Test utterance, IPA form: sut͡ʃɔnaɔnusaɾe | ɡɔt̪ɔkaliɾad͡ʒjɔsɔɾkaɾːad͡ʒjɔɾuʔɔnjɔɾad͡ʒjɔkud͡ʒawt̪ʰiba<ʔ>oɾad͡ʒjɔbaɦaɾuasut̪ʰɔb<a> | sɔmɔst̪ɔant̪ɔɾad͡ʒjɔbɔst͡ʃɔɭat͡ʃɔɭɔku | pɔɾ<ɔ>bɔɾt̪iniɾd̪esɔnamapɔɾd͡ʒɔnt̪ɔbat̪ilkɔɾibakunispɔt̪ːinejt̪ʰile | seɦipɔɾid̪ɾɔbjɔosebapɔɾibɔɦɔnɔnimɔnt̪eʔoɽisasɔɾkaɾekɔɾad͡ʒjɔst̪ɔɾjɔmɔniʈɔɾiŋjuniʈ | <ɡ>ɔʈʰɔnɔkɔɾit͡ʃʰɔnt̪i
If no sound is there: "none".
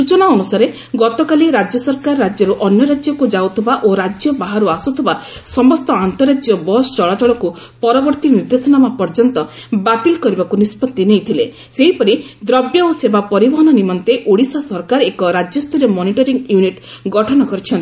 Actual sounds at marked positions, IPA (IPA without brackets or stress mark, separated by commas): ʔ, a, ɔ, ɡ